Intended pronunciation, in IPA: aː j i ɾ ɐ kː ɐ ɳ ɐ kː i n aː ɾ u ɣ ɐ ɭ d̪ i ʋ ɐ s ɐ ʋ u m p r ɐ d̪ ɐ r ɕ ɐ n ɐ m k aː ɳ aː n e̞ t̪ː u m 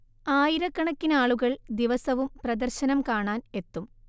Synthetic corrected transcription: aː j i ɾ ɐ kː ɐ ɳ ɐ kː i n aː ɭ u ɣ ɐ ɭ d̪ i ʋ ɐ s ɐ ʋ u m p r ɐ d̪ ɐ r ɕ ɐ n ɐ m k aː ɳ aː n e̞ t̪ː u m